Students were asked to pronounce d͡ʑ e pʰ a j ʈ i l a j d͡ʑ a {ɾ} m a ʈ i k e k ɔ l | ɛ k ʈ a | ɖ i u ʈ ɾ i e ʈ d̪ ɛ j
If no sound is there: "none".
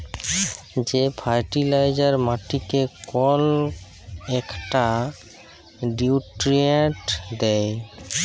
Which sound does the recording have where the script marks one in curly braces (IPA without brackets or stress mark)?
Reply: ɾ